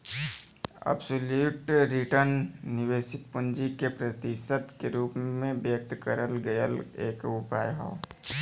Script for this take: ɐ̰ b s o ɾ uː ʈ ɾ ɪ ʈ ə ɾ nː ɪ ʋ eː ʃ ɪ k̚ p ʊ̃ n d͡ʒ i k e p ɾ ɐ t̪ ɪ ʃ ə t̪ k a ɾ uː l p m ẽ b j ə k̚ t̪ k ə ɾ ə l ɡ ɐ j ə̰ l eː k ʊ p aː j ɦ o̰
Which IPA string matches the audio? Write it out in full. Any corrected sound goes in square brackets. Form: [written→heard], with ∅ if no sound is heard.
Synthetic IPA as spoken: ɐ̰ b s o [ɾ→l] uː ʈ ɾ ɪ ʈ ə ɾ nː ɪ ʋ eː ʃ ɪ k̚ p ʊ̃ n d͡ʒ i k e p ɾ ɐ t̪ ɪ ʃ ə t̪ k [a→e] ɾ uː [l→∅] p m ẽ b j ə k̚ t̪ k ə ɾ ə l ɡ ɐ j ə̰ l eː k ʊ p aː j ɦ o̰